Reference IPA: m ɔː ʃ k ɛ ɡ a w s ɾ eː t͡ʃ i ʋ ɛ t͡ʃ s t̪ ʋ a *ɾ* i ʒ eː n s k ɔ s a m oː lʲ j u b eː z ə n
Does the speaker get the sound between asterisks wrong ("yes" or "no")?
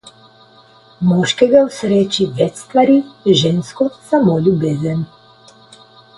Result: no